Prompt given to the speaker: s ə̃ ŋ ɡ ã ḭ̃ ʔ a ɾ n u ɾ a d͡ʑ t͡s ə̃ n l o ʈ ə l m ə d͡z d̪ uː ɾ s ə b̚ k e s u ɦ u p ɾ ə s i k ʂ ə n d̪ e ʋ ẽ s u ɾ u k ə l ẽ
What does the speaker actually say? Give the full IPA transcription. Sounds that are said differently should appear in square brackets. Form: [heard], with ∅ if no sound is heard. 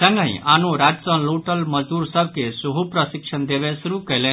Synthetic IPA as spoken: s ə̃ ŋ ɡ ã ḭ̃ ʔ a [∅] n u ɾ a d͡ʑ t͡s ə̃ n l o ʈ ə l m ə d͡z d̪ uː ɾ s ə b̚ k e s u ɦ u p ɾ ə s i k ʂ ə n d̪ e ʋ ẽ s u ɾ u k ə l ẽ